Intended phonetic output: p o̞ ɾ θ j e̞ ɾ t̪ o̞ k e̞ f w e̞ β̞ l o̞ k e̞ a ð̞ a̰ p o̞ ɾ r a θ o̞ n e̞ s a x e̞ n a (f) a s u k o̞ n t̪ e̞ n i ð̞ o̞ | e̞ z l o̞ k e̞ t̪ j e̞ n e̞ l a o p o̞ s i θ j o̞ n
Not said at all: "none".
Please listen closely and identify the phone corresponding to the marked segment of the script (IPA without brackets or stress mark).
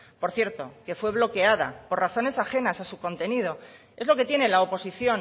s